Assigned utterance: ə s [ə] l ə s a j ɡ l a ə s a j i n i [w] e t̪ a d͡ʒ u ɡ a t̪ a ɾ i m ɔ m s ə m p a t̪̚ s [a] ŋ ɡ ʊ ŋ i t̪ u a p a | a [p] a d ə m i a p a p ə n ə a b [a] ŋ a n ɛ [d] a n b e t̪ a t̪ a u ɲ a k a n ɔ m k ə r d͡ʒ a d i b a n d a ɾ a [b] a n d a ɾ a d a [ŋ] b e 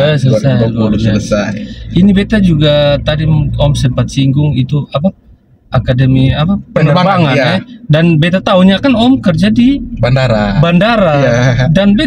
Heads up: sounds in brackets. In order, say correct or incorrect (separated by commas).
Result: correct, incorrect, incorrect, incorrect, correct, correct, correct, incorrect